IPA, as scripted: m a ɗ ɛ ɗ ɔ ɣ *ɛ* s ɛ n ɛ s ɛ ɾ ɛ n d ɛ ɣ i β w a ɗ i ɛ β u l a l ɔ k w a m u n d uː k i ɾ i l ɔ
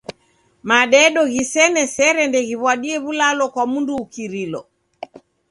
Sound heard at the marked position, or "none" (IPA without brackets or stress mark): i